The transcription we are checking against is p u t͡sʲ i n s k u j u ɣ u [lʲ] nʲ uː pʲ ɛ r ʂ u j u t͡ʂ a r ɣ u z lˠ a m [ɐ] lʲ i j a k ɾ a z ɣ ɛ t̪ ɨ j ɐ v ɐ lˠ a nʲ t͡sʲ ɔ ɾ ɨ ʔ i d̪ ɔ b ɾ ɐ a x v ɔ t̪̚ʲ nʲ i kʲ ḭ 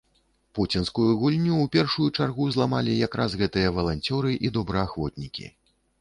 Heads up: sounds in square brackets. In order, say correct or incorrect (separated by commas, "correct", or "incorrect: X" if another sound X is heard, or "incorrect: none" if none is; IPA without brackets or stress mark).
correct, incorrect: a